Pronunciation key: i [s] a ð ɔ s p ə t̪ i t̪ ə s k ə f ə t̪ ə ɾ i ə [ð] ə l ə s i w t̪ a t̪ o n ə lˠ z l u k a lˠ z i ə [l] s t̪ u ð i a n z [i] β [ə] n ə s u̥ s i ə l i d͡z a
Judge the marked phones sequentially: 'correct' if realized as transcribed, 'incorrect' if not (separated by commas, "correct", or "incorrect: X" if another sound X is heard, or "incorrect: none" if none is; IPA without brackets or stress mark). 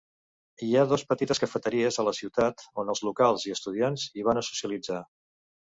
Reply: incorrect: none, incorrect: z, incorrect: none, correct, incorrect: a